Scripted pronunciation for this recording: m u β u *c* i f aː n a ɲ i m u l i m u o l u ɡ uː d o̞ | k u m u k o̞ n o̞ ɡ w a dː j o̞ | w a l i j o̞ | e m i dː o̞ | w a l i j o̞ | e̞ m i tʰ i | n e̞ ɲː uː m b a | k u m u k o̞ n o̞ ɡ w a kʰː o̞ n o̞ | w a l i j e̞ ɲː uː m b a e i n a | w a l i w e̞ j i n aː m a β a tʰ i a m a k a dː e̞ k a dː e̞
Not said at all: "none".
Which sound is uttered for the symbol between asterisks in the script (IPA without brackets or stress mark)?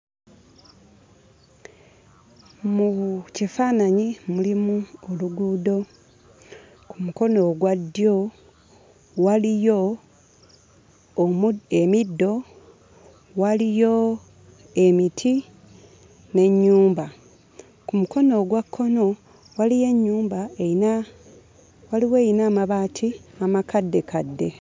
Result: c